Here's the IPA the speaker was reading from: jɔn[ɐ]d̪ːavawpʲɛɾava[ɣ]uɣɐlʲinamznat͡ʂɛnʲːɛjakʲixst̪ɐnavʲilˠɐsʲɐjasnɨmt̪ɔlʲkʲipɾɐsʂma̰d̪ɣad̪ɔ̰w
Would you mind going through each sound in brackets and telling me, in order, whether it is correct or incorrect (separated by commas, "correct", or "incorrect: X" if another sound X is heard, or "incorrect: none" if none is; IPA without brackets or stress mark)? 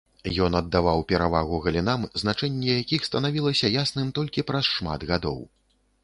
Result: correct, correct